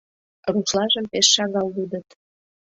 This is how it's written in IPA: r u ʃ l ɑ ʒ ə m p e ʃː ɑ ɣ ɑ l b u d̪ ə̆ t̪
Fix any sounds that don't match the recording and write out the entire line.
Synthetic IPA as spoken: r u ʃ l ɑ ʒ ə m p e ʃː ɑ ɣ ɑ l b u d̪ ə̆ t̪